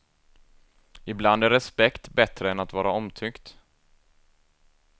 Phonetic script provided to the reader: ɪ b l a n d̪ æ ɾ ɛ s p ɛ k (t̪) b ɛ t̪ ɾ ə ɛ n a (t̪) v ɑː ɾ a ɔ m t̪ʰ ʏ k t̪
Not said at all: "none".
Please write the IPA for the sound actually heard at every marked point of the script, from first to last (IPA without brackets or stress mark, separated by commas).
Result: t̪, t̪